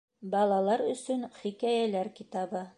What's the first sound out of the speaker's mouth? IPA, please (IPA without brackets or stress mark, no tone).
b